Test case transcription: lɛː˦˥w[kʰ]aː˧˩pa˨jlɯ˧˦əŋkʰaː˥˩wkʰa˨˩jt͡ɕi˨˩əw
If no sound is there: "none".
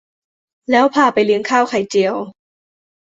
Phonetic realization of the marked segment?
pʰ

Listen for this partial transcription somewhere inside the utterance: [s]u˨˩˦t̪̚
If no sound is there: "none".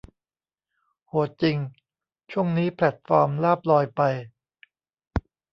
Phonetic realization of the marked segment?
h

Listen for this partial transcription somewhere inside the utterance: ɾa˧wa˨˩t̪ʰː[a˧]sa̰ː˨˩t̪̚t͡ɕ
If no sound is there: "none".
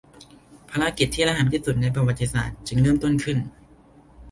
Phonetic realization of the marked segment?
i˧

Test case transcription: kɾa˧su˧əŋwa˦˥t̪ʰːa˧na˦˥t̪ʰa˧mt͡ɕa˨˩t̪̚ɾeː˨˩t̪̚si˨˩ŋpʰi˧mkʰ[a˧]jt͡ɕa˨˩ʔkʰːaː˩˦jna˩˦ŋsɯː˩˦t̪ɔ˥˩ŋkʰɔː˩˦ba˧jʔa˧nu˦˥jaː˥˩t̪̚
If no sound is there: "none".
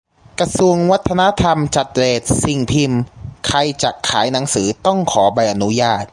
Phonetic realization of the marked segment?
a˧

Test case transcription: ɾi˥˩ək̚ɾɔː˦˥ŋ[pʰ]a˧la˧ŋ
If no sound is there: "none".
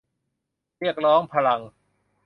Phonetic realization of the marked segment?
pʰ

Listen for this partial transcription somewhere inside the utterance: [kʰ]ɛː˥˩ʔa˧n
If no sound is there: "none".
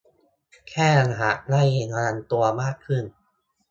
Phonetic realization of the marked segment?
kʰ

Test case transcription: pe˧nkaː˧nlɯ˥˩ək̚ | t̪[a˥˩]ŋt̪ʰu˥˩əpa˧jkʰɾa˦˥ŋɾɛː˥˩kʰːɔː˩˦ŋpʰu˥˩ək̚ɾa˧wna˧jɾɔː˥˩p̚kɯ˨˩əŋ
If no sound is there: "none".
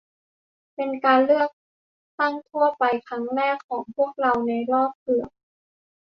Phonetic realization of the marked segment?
a˥˩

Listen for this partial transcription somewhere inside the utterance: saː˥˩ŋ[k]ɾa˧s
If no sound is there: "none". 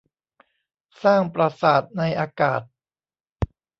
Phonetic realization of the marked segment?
p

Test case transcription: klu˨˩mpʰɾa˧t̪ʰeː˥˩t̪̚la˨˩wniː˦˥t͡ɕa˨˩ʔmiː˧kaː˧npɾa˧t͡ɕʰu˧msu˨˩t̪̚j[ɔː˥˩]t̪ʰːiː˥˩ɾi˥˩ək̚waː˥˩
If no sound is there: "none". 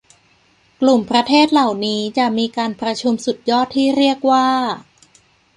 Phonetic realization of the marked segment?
ɔː˥˩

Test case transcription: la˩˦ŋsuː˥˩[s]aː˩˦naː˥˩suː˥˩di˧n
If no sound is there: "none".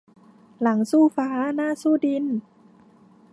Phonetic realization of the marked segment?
f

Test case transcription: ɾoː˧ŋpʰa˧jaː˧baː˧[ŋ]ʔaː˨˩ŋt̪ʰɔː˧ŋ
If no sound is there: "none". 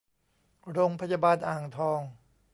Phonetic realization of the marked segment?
n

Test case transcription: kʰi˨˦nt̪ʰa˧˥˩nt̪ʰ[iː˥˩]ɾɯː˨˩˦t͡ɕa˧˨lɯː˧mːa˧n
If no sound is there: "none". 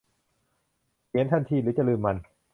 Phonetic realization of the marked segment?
iː˧˩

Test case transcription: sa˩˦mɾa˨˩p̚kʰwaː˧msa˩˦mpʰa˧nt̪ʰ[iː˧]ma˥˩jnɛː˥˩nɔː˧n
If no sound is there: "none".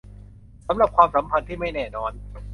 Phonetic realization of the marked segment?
iː˥˩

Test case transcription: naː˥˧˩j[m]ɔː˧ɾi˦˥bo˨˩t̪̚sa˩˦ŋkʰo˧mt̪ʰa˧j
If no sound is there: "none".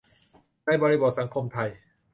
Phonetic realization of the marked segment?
b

